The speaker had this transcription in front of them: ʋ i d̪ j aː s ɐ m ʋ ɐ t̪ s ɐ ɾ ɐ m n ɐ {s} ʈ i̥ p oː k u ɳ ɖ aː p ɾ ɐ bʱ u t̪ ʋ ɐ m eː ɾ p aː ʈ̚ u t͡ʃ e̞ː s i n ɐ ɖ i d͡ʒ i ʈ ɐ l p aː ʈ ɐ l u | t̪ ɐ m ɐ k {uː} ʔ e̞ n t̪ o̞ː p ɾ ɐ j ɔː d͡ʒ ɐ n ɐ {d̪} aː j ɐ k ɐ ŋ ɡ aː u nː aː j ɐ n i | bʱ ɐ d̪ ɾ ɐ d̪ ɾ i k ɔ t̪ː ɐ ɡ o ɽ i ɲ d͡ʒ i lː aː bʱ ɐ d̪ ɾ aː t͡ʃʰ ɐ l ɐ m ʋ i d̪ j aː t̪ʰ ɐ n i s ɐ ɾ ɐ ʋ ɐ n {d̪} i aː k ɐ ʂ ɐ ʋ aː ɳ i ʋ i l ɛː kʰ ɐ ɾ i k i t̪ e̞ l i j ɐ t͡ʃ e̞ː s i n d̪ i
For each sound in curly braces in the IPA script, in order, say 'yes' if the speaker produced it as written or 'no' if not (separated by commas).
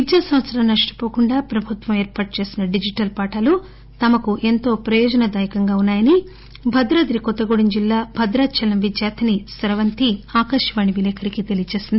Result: no, no, yes, no